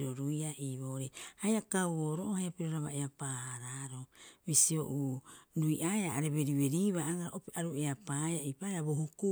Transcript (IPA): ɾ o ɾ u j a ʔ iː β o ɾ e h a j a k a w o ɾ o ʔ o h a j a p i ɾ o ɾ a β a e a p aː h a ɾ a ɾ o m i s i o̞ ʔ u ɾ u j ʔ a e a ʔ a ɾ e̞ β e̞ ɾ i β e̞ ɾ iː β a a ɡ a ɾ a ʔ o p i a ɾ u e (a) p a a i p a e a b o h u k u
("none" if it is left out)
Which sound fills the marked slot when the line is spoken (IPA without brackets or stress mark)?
a